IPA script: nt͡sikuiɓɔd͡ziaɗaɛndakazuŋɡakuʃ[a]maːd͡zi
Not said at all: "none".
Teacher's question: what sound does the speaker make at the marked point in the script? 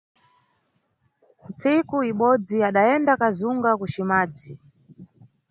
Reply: i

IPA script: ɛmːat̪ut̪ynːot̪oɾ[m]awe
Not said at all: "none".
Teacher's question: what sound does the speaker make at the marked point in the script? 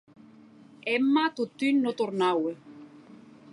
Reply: n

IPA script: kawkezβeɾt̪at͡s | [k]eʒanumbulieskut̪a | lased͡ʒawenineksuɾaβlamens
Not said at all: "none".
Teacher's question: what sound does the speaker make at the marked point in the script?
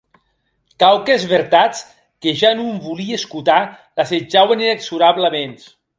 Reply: k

